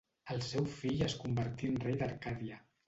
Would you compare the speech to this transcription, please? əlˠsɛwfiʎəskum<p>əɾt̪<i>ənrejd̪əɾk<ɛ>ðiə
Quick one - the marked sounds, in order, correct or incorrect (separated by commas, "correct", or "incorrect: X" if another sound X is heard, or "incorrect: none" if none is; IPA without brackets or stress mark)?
incorrect: b, correct, incorrect: a